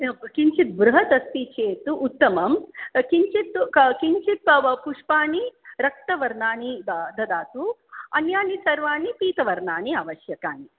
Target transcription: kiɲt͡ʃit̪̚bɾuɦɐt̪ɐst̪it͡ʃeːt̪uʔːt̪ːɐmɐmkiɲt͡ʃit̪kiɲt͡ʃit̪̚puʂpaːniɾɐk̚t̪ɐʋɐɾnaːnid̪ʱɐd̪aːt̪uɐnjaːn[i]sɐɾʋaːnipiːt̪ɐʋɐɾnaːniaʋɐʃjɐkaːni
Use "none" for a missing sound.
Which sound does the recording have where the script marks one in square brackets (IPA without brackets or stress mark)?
i